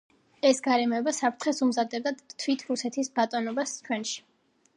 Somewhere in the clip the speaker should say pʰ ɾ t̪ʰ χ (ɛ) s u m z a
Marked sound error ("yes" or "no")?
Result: no